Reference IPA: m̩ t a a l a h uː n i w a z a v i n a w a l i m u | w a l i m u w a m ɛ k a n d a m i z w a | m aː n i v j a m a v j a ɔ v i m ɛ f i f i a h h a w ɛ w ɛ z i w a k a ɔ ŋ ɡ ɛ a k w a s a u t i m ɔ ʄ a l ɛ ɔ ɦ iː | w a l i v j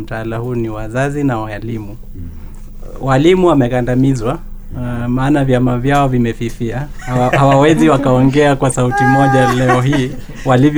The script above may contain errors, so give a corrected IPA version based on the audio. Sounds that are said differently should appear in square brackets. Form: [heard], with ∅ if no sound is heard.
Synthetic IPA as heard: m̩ t a a l a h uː n i w a z a [z] i n a w a l i m u | w a l i m u w a m ɛ k a n d a m i z w a | m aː n [a] v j a m a v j a ɔ v i m ɛ f i f i a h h a w [a] w ɛ z i w a k a ɔ ŋ ɡ ɛ a k w a s a u t i m ɔ ʄ a l ɛ ɔ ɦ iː | w a l i v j